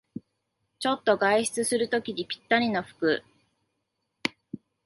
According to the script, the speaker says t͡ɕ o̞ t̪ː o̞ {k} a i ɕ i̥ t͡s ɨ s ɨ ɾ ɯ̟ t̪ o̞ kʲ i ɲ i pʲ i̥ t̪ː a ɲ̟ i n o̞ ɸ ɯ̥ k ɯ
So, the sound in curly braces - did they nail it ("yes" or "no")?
no